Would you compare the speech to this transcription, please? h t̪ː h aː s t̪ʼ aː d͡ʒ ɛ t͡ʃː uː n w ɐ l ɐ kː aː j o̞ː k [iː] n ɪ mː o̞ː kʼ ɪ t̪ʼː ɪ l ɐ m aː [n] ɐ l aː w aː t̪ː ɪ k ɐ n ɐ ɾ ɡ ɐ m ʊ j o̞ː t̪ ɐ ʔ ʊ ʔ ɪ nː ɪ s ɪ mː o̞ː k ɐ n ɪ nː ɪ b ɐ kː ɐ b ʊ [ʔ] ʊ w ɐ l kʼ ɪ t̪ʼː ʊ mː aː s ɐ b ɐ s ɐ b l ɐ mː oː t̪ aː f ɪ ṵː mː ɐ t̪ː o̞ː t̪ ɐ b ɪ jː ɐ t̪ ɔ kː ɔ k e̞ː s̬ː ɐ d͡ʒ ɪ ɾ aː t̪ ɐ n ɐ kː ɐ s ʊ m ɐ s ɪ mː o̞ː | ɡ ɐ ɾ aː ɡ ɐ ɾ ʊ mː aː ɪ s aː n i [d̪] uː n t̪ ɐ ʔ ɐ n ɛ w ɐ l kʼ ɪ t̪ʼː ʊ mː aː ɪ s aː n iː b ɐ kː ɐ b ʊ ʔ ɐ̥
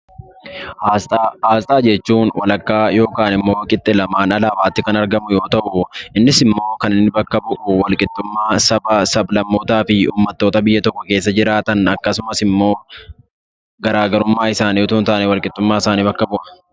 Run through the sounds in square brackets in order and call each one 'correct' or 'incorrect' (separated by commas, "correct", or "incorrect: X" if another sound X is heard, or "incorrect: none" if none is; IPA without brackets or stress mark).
incorrect: aː, correct, correct, incorrect: t̪